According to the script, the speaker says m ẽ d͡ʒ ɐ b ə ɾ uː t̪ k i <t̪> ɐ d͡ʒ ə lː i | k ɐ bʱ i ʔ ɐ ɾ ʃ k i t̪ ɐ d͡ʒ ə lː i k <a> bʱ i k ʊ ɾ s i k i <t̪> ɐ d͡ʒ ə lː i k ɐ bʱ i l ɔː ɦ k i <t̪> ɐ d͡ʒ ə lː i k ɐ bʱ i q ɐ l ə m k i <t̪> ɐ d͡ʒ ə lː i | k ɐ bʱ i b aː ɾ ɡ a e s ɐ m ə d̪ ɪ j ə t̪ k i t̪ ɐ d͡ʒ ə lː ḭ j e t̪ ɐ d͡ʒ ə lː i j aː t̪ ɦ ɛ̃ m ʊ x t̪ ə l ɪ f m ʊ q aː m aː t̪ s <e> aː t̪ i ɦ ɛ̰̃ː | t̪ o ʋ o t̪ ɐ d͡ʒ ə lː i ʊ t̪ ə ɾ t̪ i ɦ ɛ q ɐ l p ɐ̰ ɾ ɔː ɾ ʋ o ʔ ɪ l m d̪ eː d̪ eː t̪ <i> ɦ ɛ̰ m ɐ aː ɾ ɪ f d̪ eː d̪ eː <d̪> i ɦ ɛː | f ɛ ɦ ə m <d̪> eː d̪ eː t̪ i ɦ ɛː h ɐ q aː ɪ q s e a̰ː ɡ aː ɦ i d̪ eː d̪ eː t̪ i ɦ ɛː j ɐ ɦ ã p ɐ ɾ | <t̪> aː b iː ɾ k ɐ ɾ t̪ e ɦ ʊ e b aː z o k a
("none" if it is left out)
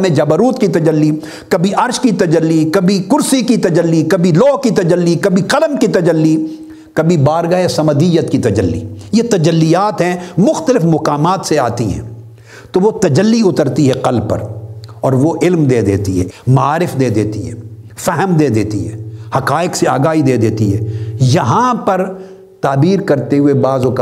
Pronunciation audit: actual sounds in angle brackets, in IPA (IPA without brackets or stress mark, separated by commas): t̪, ɐ, t̪, t̪, t̪, e, i, t̪, d̪, t̪